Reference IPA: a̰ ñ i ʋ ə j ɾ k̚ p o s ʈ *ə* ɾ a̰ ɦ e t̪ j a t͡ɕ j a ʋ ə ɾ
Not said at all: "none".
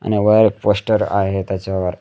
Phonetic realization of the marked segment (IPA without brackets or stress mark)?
ə